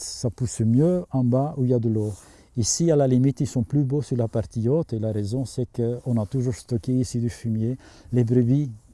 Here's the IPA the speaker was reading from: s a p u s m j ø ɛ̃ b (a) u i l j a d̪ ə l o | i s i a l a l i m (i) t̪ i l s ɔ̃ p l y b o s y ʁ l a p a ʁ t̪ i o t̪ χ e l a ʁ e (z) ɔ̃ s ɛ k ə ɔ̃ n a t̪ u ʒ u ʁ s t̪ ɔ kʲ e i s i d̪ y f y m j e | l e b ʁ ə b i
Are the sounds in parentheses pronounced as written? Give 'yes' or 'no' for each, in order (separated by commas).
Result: yes, yes, yes